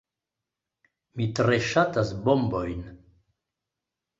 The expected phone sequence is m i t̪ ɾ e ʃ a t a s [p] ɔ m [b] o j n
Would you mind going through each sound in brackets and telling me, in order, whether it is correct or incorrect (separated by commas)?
incorrect, correct